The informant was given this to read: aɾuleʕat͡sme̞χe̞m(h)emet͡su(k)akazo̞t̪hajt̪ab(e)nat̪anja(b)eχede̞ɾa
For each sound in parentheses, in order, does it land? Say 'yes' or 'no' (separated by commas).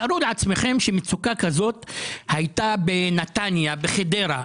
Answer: no, yes, yes, yes